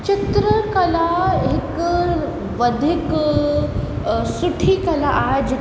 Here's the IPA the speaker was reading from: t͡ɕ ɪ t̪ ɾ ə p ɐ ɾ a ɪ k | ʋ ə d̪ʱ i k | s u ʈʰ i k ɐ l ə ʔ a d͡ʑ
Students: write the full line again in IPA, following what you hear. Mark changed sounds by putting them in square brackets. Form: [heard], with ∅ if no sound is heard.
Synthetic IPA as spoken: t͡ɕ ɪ t̪ ɾ ə [k] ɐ [l] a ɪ k | ʋ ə d̪ʱ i k | s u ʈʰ i k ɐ l [a] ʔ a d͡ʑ